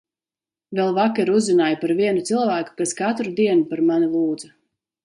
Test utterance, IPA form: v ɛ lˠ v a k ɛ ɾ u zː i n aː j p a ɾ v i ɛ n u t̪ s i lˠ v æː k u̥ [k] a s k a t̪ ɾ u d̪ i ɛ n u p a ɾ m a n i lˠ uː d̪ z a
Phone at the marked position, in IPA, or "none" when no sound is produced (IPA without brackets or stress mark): k